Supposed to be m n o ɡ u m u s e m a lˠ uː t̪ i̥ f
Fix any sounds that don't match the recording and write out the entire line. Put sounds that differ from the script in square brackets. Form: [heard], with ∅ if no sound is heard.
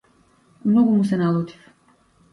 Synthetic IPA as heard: m n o ɡ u m u s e [n] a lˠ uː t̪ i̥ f